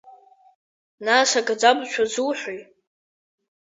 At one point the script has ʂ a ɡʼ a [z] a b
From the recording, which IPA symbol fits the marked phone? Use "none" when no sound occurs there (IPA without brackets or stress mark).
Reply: d͡z